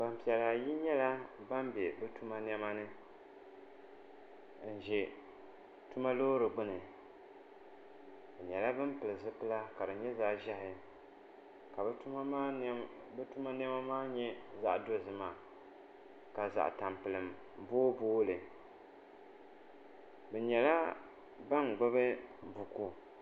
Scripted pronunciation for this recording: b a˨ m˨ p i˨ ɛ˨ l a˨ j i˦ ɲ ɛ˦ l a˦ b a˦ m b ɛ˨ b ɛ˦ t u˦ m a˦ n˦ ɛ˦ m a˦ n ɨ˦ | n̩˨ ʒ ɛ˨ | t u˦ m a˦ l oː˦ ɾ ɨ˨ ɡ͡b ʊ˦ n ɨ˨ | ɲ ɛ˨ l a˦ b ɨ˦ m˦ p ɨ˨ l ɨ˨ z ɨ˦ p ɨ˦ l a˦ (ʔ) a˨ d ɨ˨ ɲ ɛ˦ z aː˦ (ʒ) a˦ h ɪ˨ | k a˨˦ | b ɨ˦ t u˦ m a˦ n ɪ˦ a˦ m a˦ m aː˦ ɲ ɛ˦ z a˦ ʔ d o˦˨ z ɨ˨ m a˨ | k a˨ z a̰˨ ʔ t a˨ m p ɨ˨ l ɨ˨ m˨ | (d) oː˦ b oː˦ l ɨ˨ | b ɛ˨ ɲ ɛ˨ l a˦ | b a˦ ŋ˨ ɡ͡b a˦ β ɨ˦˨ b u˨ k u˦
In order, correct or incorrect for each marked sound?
incorrect: k, correct, incorrect: b

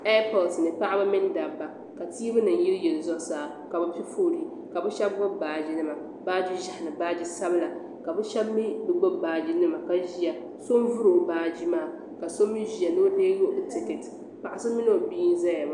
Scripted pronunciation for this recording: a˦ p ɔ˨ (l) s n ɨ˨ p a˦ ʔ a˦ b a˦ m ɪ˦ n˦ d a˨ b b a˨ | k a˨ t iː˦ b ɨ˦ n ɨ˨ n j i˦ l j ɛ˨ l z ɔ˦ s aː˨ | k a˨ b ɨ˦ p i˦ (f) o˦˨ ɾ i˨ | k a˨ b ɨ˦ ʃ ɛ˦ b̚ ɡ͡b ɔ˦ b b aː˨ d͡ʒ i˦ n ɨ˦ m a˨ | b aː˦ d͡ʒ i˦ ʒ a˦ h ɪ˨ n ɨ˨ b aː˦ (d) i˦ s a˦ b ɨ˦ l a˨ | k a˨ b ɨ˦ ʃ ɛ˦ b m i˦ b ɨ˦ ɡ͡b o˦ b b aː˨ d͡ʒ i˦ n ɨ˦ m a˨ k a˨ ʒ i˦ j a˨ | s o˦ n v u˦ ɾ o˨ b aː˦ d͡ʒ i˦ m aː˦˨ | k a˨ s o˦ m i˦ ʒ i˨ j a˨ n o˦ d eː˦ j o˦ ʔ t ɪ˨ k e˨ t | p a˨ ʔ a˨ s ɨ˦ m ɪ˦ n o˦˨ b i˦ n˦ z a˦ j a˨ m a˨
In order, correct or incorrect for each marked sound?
correct, correct, incorrect: d͡ʒ

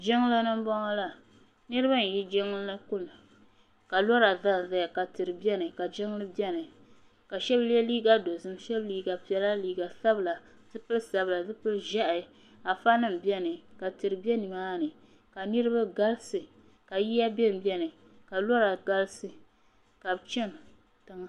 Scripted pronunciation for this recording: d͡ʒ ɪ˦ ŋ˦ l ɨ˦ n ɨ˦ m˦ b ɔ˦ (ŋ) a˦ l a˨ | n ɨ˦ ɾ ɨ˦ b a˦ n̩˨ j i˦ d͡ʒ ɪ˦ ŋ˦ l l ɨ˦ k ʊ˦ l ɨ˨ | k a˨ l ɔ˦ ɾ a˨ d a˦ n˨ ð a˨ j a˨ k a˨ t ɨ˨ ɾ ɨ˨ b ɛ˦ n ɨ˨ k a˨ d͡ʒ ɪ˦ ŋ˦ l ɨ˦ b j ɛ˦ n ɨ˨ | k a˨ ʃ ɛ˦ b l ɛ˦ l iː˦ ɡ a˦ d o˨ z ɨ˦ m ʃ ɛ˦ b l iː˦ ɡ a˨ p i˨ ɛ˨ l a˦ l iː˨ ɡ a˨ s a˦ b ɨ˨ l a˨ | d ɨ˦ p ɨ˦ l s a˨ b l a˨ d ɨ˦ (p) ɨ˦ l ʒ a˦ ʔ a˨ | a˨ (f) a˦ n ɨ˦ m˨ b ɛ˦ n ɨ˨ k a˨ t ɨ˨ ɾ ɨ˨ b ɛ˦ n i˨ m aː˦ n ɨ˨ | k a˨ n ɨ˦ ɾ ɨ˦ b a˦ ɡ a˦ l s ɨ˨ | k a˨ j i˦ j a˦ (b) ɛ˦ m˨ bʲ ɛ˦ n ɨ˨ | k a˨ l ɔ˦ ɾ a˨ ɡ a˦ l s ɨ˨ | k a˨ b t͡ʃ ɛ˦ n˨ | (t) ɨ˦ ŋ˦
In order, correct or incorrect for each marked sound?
correct, correct, correct, correct, correct

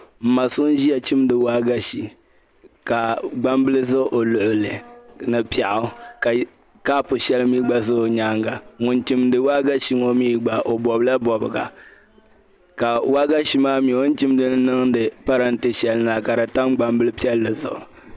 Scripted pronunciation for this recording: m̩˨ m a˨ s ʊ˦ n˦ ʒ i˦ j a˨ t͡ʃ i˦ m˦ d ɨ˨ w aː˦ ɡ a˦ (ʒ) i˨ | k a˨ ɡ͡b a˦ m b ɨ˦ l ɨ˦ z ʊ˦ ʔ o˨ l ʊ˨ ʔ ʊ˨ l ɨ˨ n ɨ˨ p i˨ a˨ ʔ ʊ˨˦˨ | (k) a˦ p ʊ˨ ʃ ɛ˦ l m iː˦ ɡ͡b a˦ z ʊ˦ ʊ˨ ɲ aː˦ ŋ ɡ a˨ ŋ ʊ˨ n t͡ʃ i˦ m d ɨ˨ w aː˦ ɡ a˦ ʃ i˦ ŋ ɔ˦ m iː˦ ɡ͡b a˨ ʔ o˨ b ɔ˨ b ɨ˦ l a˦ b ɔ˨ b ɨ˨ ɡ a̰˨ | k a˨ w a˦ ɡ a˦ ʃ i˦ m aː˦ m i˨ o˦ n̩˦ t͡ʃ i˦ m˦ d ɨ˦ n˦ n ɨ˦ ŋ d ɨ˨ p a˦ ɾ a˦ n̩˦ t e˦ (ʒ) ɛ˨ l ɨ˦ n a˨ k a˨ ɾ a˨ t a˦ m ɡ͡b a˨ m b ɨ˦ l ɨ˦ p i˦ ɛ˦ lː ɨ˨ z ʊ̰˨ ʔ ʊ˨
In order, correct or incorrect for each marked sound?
incorrect: ʃ, correct, incorrect: ʃ

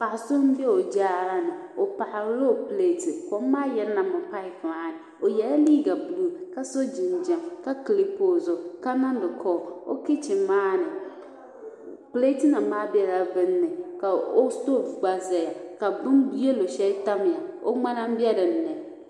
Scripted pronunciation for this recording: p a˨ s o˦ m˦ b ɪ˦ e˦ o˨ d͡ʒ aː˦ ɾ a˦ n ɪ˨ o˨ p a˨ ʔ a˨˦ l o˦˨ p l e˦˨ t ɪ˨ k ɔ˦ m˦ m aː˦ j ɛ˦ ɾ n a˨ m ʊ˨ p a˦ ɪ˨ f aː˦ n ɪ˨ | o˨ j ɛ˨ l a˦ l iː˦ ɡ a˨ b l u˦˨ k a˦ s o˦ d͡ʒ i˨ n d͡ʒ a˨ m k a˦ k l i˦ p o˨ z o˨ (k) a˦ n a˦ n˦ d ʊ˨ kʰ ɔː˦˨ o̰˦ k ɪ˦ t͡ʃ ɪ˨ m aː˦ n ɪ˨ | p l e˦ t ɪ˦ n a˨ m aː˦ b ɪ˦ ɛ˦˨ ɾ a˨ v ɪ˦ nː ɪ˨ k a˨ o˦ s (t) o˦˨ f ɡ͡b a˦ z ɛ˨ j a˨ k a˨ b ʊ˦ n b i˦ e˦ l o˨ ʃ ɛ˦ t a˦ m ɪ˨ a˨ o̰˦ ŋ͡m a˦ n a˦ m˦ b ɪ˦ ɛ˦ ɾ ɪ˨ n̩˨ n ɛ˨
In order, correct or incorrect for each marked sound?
correct, correct

